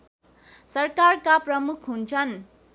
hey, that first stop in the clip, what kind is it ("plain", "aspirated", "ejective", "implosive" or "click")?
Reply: plain